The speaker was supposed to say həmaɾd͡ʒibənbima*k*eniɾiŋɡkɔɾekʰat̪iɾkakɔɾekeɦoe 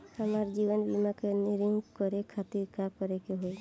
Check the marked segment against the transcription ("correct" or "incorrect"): correct